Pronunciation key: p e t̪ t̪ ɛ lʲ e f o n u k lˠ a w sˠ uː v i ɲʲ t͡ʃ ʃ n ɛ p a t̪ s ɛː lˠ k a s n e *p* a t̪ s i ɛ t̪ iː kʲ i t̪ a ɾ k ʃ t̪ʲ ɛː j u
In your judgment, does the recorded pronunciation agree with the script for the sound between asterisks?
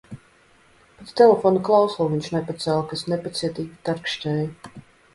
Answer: yes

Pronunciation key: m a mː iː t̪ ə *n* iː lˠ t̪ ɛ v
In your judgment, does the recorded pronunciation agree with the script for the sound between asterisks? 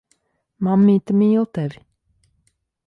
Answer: no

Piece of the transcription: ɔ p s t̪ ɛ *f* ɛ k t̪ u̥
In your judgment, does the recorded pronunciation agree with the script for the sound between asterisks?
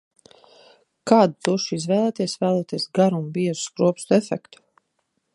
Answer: yes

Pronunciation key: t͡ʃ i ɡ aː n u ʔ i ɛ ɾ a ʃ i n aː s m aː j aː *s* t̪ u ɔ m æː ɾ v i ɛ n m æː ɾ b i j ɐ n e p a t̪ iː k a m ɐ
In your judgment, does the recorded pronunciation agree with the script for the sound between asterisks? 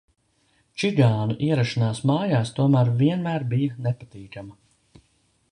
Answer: yes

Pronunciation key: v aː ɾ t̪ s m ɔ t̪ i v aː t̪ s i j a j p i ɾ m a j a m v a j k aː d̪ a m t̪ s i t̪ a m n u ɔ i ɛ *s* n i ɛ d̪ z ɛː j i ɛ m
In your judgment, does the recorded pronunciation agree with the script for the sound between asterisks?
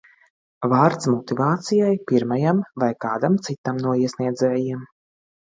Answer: yes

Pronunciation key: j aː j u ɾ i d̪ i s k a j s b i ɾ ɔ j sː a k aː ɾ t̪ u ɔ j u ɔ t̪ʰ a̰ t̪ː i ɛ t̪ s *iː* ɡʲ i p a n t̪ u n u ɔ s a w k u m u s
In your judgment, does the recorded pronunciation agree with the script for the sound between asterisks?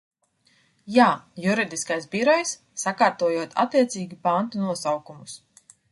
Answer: yes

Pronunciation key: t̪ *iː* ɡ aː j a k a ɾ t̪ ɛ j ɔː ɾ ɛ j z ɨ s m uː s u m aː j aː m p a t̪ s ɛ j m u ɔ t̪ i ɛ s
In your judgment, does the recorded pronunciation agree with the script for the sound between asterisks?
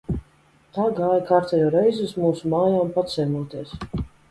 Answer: no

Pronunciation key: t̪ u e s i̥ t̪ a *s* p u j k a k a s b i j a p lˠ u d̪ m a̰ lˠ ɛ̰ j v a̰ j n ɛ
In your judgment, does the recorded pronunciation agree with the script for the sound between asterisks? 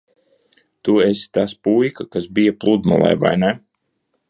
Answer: yes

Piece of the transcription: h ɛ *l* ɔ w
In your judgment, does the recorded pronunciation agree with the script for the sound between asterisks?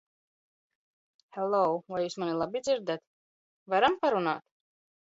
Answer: yes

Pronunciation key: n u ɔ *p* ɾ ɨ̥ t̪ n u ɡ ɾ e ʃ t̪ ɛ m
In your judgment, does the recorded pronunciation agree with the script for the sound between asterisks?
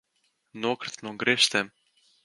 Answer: no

